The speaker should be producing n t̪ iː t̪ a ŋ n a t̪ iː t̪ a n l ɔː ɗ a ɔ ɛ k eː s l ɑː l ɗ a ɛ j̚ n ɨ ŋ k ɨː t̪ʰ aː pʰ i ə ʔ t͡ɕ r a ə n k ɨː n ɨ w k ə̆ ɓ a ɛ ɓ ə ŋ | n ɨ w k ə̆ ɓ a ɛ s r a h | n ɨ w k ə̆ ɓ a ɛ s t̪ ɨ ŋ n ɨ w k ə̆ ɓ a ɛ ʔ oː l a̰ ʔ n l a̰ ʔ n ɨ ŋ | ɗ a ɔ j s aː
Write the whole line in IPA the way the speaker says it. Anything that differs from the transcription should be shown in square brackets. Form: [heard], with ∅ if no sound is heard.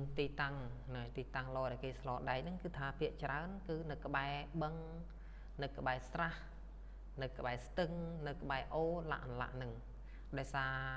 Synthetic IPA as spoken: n t̪ iː t̪ a ŋ n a t̪ iː t̪ a [ŋ] l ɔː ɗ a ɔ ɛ k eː s l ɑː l ɗ a ɛ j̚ n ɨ ŋ k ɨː t̪ʰ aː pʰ i ə ʔ t͡ɕ r a ə n k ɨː n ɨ w k ə̆ ɓ a ɛ ɓ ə ŋ | n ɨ w k ə̆ ɓ a ɛ s r a h | n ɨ w k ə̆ ɓ a ɛ s t̪ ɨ ŋ n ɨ w k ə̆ ɓ a ɛ ʔ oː l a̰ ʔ n l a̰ ʔ n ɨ ŋ | ɗ a ɔ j s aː

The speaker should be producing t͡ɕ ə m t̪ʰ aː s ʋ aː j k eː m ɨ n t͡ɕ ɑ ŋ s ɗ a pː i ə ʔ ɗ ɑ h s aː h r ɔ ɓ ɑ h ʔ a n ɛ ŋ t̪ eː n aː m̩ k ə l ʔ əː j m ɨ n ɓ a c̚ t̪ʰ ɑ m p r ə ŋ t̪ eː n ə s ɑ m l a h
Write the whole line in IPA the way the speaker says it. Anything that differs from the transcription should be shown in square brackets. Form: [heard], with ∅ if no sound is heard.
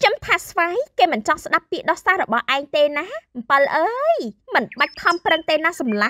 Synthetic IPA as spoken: t͡ɕ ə m t̪ʰ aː s ʋ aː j k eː m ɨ n t͡ɕ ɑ ŋ s ɗ a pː i ə ʔ ɗ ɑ h s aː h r ɔ ɓ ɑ h ʔ a [∅] ɛ ŋ t̪ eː n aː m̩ [p] ə l ʔ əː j m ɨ n ɓ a c̚ t̪ʰ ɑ m p r ə ŋ t̪ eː n [a] s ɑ m l a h

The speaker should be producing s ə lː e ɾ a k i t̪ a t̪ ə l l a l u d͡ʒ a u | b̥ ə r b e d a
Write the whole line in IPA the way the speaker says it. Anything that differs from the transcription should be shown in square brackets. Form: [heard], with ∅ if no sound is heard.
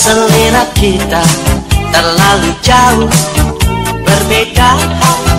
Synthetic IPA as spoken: s ə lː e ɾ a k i t̪ a t̪ ə [r] l a l u d͡ʒ a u | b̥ ə r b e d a

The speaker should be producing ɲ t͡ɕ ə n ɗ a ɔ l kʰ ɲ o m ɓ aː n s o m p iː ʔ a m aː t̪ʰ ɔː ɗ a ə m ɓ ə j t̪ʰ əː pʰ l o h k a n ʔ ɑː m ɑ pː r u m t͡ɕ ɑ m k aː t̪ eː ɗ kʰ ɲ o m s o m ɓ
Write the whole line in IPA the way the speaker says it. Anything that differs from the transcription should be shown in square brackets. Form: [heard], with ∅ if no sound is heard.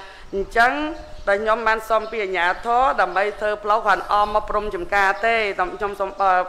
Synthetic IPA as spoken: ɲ t͡ɕ ə [ŋ] ɗ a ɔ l kʰ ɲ o m ɓ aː n s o m p iː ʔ a [ɲ] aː t̪ʰ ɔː ɗ a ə m ɓ ə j t̪ʰ əː pʰ l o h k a n ʔ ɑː m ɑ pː r u m t͡ɕ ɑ m k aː t̪ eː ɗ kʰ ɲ o m s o m ɓ

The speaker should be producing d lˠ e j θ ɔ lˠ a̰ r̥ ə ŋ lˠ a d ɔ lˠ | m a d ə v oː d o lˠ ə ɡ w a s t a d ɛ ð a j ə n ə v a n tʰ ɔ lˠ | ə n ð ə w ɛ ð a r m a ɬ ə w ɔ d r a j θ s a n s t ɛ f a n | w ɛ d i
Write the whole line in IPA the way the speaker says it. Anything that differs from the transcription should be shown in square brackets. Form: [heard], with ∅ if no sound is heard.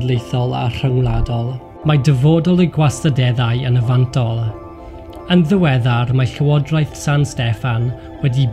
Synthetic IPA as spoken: d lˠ e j θ ɔ lˠ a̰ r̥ ə ŋ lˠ a d ɔ lˠ | m a d ə v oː d [ɔ] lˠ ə ɡ w a s t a d ɛ ð a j ə n ə v a n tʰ ɔ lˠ | ə n ð ə w ɛ ð a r m a ɬ ə w ɔ d r a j θ s a n s t ɛ f a n | w ɛ d i

